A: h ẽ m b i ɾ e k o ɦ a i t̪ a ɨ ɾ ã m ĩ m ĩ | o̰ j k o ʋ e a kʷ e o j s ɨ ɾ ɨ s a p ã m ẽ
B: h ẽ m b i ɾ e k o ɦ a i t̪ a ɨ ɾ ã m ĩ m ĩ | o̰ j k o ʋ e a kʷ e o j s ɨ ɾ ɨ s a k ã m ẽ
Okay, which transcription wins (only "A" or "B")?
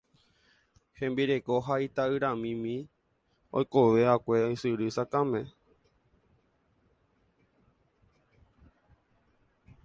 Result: B